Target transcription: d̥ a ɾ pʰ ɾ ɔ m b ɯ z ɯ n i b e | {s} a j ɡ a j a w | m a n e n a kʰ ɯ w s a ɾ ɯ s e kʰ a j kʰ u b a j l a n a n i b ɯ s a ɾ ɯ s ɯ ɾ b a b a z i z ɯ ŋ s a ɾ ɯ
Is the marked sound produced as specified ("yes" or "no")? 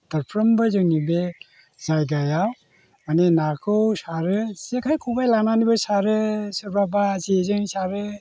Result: no